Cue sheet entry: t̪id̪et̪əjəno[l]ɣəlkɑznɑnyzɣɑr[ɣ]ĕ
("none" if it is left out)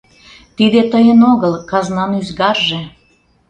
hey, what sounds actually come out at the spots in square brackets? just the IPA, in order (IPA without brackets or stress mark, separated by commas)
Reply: none, ʒ